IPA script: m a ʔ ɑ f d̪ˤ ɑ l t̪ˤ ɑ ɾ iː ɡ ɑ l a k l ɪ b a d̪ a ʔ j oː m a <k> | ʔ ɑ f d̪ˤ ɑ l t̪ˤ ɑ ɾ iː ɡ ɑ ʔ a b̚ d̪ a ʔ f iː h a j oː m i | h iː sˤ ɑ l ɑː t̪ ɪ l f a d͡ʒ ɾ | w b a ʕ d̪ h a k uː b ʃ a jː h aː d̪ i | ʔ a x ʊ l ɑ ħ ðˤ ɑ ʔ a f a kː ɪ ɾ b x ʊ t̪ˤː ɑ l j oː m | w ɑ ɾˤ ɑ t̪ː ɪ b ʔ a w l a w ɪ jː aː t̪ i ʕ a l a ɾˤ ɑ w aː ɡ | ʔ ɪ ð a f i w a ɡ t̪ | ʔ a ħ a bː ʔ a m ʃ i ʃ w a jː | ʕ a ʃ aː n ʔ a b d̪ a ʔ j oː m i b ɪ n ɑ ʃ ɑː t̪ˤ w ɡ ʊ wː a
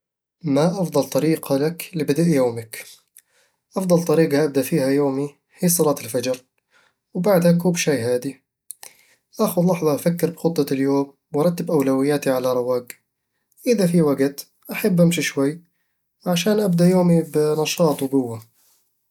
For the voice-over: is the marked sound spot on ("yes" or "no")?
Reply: yes